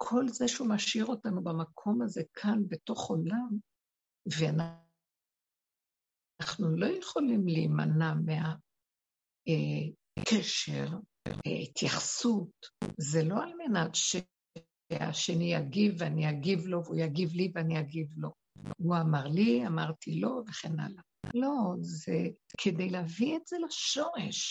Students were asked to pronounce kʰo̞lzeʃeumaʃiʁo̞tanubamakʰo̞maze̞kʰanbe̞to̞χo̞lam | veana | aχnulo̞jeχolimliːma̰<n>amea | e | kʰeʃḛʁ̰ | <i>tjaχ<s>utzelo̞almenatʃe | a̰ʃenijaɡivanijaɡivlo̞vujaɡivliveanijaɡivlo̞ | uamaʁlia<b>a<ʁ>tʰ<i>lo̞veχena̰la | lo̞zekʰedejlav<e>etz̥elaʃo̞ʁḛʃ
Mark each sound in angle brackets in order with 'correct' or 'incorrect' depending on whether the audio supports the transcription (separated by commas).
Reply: correct, correct, correct, incorrect, correct, correct, incorrect